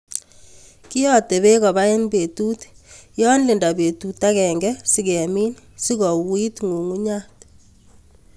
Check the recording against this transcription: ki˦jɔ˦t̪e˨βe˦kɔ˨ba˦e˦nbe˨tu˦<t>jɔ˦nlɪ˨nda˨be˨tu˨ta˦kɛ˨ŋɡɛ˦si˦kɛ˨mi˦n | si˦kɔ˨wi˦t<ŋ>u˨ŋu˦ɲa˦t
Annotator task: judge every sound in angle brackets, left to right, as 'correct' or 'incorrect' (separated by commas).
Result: correct, correct